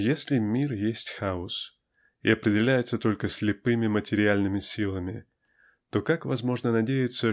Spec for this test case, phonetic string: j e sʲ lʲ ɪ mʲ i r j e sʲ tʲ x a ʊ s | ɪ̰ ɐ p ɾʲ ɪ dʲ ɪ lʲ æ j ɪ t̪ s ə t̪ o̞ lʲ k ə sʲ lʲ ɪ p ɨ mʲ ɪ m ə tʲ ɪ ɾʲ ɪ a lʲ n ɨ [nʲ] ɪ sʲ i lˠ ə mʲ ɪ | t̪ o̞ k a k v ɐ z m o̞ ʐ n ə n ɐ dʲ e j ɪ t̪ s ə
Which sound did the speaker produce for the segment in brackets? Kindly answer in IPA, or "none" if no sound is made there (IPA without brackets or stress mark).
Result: mʲ